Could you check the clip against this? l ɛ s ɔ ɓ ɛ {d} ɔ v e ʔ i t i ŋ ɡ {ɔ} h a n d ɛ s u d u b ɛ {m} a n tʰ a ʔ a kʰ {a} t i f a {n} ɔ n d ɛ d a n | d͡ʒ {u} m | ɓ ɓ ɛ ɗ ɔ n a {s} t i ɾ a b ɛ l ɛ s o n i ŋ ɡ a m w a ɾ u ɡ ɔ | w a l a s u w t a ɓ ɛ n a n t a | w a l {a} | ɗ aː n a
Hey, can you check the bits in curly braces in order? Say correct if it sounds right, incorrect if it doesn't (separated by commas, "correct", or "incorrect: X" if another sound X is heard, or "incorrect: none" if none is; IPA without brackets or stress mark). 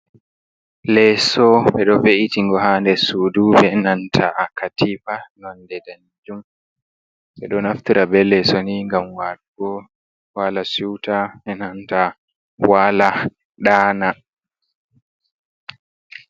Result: incorrect: ɗ, correct, incorrect: n, correct, correct, correct, incorrect: f, correct